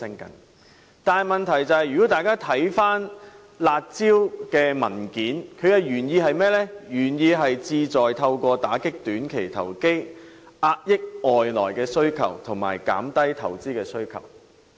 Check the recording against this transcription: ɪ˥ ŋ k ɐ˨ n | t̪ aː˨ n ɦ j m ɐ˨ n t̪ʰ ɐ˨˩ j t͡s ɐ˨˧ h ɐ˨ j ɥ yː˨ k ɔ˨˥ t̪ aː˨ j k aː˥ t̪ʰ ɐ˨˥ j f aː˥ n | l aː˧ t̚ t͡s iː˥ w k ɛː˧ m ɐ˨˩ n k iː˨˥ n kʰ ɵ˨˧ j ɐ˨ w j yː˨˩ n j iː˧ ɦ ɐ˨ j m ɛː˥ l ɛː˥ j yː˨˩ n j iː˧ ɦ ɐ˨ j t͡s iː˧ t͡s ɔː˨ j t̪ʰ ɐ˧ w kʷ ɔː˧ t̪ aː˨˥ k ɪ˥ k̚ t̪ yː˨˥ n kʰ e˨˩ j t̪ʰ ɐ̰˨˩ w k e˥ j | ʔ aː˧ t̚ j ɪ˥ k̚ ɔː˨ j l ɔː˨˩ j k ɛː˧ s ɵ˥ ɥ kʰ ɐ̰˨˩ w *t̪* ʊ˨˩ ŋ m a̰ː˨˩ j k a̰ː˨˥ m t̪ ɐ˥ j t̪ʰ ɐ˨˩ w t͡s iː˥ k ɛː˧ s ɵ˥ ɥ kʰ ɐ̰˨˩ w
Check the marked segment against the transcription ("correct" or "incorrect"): incorrect